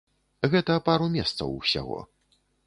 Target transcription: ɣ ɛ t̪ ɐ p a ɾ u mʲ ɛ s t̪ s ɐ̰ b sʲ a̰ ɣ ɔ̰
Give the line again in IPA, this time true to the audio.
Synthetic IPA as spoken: ɣ ɛ t̪ ɐ p a ɾ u mʲ ɛ s t̪ s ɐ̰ w sʲ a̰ ɣ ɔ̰